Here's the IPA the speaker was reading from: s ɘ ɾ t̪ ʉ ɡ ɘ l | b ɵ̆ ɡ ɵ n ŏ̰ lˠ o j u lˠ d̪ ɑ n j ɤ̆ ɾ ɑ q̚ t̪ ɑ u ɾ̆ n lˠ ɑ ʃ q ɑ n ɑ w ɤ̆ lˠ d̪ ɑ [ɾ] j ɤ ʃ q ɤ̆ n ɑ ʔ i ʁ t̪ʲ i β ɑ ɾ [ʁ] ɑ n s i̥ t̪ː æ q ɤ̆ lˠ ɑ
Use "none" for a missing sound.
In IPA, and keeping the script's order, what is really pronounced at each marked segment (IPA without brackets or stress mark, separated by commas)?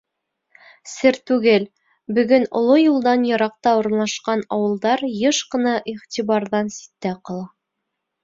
ɾ, ð